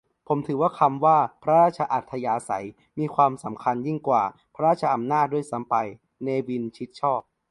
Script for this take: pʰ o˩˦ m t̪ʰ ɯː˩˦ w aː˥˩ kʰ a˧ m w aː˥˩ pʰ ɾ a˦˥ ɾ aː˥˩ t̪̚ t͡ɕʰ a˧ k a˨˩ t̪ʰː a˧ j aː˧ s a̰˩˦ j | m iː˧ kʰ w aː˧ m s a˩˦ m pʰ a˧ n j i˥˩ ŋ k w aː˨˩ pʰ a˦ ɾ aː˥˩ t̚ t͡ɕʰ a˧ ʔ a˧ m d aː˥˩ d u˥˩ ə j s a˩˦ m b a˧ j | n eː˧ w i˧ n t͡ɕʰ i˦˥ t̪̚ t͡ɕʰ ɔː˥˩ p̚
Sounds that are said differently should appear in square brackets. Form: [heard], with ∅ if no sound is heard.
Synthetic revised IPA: pʰ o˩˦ m t̪ʰ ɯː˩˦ w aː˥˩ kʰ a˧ m w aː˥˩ pʰ ɾ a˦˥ ɾ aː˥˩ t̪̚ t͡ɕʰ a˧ [ʔ] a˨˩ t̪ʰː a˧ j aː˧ s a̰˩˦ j | m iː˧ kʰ w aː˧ m s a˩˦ m [kʰ] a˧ n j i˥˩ ŋ k w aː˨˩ pʰ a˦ ɾ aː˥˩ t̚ t͡ɕʰ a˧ ʔ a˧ m [n] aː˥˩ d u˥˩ ə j s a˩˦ m [p] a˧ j | n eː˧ w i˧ n t͡ɕʰ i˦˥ t̪̚ t͡ɕʰ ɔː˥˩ p̚

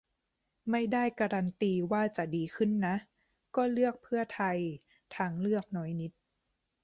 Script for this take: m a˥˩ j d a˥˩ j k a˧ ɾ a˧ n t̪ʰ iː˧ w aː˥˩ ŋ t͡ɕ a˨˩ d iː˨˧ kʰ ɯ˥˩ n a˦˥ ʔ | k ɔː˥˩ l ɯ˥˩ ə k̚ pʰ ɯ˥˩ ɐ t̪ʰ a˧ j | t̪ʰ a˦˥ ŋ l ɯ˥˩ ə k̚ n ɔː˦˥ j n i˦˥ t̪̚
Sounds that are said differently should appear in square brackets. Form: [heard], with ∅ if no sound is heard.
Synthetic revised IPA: m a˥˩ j d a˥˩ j k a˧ ɾ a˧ n [t̪] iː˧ w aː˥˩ [∅] t͡ɕ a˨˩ d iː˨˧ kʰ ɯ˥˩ [nː] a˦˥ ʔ | k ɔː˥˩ l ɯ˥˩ ə k̚ pʰ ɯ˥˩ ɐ t̪ʰ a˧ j | t̪ʰ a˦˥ ŋ l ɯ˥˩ ə k̚ n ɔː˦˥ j n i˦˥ t̪̚

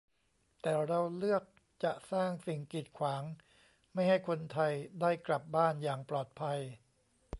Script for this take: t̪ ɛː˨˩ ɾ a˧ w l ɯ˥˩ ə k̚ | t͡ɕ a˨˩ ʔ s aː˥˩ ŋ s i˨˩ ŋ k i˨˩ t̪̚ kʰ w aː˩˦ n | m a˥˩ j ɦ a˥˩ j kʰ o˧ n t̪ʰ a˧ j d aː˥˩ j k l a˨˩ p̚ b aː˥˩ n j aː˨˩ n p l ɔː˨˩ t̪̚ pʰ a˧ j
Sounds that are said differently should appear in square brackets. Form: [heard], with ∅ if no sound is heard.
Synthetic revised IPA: t̪ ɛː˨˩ ɾ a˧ w l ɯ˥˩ ə k̚ | t͡ɕ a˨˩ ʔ s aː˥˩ ŋ s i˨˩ ŋ k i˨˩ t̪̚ kʰ w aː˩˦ [ŋ] | m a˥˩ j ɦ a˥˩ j kʰ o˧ n t̪ʰ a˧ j d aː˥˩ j k l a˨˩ p̚ b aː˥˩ n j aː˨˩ [ŋ] p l ɔː˨˩ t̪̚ pʰ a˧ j

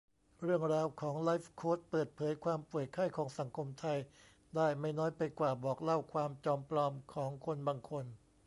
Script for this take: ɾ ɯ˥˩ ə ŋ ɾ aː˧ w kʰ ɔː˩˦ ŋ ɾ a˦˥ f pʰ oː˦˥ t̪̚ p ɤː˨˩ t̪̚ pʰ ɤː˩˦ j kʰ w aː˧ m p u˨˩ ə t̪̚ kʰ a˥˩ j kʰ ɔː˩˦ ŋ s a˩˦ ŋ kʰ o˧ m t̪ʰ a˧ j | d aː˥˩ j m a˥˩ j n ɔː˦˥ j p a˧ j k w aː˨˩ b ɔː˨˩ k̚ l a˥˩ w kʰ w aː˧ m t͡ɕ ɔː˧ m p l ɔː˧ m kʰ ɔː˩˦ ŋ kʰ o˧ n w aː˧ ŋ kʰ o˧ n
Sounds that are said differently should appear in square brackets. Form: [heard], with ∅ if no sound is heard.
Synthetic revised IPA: ɾ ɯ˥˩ ə ŋ ɾ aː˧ w kʰ ɔː˩˦ ŋ [l] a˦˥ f [kʰ] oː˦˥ t̪̚ p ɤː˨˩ t̪̚ pʰ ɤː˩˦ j kʰ w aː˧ m p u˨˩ ə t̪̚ kʰ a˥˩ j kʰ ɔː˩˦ ŋ s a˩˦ ŋ kʰ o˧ m t̪ʰ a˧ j | d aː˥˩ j m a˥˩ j n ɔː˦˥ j p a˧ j k w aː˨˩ b ɔː˨˩ k̚ l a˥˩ w kʰ w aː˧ m t͡ɕ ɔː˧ m p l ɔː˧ m kʰ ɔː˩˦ ŋ kʰ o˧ n [b] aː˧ ŋ kʰ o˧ n

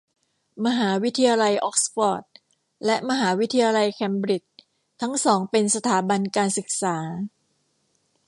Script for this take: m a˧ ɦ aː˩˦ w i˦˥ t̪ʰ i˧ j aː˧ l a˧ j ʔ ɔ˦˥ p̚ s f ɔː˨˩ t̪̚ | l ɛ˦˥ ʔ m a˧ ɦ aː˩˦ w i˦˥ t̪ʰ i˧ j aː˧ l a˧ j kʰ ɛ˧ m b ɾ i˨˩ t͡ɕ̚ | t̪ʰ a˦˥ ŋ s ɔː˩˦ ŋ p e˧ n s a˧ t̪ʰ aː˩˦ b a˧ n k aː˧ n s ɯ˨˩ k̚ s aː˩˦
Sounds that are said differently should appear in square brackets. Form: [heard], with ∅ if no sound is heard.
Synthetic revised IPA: m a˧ ɦ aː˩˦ w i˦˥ t̪ʰ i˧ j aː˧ l a˧ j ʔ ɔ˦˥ [k̚] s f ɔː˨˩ t̪̚ | l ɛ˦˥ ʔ m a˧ ɦ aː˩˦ w i˦˥ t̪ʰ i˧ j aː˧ l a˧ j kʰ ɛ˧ m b ɾ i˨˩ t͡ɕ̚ | t̪ʰ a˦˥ ŋ s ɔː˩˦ ŋ p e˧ n s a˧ t̪ʰ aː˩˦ b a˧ n k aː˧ n s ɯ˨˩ k̚ s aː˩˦

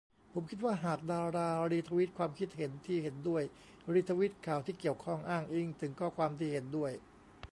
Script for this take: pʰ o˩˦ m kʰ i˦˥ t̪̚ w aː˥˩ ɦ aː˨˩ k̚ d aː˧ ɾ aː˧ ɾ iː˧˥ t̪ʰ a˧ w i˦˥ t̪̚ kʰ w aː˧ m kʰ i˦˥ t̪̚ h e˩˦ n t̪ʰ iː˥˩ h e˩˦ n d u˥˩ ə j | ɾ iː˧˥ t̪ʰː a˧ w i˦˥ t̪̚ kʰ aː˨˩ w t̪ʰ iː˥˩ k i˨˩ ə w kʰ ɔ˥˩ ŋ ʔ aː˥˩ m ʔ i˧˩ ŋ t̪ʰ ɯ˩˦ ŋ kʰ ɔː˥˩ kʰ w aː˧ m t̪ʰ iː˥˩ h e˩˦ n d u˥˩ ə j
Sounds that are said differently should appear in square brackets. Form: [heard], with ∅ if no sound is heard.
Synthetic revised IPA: pʰ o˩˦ m kʰ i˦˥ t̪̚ w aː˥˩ ɦ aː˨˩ k̚ d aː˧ ɾ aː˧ ɾ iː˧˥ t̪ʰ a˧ w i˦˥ t̪̚ kʰ w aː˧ m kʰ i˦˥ t̪̚ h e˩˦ n t̪ʰ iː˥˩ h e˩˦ n d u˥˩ ə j | ɾ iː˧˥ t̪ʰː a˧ w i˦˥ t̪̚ kʰ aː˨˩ w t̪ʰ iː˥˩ k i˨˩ ə w kʰ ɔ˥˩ ŋ ʔ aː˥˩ [ŋ] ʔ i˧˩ ŋ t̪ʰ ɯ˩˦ ŋ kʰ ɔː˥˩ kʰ w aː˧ m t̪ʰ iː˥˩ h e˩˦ n d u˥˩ ə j

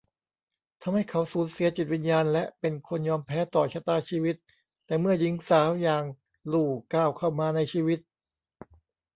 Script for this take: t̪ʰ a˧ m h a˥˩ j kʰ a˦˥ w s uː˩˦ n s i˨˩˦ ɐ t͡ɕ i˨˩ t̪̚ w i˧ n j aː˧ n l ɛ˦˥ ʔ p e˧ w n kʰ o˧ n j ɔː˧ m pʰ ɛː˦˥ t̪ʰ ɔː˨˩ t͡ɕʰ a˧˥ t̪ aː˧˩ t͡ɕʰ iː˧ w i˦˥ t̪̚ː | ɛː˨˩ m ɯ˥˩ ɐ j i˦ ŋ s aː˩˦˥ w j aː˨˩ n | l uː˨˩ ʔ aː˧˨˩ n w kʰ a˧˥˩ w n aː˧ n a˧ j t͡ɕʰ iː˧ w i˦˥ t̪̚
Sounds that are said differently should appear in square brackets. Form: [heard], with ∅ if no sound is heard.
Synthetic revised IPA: t̪ʰ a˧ m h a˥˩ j kʰ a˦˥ w s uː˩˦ n s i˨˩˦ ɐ t͡ɕ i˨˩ t̪̚ w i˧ n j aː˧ n l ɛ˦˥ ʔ p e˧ [∅] n kʰ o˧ n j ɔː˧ m pʰ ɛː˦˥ [t̪] ɔː˨˩ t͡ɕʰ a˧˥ t̪ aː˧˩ t͡ɕʰ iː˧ w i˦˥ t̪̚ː | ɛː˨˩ m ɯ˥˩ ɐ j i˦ ŋ s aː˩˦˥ w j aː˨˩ [ŋ] | l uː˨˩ [k] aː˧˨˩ [∅] w kʰ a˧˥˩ w [m] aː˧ n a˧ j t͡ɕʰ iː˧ w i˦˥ t̪̚

